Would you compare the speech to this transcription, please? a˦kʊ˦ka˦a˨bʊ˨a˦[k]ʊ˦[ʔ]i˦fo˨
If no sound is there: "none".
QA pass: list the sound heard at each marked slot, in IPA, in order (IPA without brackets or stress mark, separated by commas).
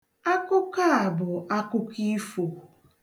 k, k